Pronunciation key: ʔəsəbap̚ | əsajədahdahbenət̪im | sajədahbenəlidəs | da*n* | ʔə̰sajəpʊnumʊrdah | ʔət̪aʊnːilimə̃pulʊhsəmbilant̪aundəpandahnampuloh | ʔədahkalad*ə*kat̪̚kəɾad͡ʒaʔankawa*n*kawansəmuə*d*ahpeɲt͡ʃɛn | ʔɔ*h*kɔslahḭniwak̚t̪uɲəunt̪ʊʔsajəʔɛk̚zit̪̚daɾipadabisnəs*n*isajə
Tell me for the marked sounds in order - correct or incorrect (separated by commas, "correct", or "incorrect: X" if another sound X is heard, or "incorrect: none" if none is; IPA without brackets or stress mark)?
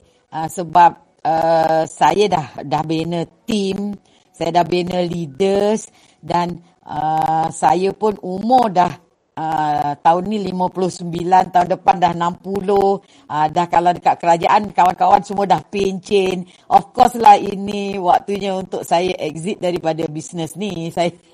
correct, correct, correct, correct, incorrect: f, correct